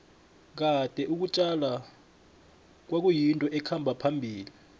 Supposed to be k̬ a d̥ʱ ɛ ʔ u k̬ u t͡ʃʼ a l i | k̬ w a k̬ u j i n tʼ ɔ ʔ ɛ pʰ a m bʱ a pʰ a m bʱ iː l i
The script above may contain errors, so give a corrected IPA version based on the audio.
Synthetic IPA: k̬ a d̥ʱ ɛ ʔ u k̬ u t͡ʃʼ a l a | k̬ w a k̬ u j i n tʼ ɔ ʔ ɛ kʰ a m bʱ a pʰ a m bʱ iː l i